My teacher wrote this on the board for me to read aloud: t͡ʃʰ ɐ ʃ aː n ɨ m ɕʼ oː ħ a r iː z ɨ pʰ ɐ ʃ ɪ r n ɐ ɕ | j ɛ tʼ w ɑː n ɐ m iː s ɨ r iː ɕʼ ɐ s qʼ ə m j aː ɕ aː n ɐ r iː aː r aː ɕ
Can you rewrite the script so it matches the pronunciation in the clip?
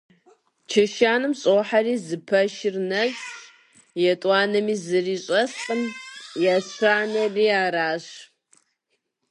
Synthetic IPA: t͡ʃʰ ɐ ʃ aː n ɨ m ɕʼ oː ħ a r iː z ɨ pʰ ɐ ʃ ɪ r n ɐ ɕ | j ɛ tʼ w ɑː n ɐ m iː z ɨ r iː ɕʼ ɐ s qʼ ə m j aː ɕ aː n ɐ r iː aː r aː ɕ